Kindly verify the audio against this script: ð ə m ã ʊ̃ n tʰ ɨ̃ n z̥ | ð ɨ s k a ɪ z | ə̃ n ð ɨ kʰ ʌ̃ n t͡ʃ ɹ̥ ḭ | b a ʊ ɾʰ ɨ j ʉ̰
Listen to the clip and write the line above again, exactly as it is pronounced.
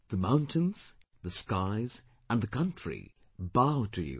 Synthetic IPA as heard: ð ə m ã ʊ̃ n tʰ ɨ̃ n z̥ | ð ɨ s k a ɪ z | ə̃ n ð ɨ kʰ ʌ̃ n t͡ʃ ɹ̥ ḭ | b a ʊ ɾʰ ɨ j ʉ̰